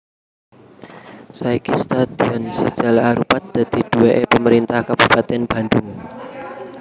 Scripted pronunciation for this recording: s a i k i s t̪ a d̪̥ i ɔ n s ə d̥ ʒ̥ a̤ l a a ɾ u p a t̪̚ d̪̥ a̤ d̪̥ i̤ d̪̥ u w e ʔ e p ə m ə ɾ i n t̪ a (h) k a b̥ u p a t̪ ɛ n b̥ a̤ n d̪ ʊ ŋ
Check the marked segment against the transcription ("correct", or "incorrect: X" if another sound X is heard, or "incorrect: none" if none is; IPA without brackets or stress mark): correct